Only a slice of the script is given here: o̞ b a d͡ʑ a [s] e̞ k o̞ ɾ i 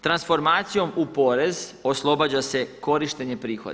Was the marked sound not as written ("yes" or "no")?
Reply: no